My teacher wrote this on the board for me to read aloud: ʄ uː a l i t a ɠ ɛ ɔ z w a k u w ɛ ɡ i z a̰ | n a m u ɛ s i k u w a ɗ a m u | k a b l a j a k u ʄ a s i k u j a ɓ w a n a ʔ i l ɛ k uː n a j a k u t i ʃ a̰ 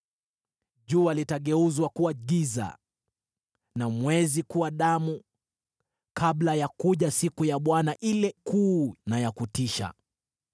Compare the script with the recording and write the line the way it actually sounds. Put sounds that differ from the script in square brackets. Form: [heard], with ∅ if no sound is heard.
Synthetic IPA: ʄ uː a l i t a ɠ ɛ [u] z w a k u w [a] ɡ i z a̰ | n a m [w] ɛ [z] i k u w a ɗ a m u | k a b l a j a k u ʄ a s i k u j a ɓ w a n a ʔ i l ɛ k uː n a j a k u t i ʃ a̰